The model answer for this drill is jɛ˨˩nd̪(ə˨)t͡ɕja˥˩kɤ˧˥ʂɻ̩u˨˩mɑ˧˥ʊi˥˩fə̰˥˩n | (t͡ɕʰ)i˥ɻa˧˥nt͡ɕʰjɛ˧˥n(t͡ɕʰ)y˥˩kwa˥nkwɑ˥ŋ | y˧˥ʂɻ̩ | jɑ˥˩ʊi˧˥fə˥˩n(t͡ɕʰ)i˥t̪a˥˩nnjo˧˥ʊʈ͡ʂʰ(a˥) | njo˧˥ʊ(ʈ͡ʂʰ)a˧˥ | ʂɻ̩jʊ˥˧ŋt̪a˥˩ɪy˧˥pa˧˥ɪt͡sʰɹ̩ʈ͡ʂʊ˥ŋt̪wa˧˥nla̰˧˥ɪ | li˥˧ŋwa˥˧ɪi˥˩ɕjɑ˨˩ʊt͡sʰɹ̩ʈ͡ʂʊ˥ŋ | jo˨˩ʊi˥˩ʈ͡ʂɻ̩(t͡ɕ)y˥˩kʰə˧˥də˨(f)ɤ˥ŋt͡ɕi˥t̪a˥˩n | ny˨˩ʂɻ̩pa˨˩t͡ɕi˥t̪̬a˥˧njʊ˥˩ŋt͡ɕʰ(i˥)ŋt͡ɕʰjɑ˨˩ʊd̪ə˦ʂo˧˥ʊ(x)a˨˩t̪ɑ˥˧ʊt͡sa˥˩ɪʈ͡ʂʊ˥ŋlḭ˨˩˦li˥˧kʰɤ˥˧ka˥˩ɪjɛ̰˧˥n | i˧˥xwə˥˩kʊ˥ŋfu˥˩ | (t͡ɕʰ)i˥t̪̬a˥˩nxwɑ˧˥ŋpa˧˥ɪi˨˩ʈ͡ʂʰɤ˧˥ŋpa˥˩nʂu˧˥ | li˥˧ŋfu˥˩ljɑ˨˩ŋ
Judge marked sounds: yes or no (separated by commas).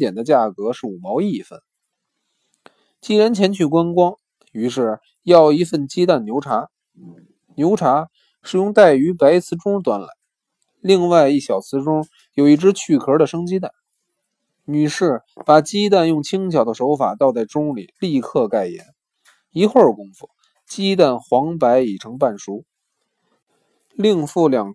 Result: no, no, yes, no, no, yes, no, no, yes, no, no